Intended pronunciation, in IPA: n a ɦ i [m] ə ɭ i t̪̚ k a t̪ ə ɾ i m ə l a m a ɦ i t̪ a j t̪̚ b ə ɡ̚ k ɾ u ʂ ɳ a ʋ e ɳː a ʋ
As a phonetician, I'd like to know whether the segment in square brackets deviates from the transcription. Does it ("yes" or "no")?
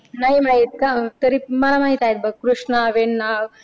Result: no